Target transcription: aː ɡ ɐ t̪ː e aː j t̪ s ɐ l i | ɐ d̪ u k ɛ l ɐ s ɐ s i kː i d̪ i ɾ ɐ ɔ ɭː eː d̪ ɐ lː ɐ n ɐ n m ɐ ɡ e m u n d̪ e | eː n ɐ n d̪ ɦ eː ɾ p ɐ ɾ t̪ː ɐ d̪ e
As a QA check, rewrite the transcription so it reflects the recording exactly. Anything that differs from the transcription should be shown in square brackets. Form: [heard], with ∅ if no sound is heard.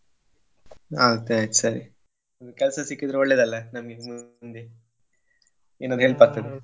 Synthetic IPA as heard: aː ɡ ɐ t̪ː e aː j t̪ s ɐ [ɾ] i | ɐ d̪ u k ɛ l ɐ s ɐ s i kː i d̪ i ɾ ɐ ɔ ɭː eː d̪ ɐ lː ɐ n ɐ [∅] m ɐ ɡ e m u n d̪ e | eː n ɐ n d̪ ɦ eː [ɭ] p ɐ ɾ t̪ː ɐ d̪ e